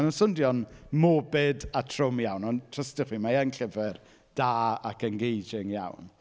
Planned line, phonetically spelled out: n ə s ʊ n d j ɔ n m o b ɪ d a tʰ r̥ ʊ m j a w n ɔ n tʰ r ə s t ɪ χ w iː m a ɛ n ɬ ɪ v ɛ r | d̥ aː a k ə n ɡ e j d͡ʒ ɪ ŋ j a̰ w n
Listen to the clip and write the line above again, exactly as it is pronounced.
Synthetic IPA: n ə s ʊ n d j ɔ n m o b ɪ d a tʰ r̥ ʊ m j a w n ɔ n tʰ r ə s t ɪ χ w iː m a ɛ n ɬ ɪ v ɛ r | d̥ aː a k ə n ɡ e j d͡ʒ ɪ ŋ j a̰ w n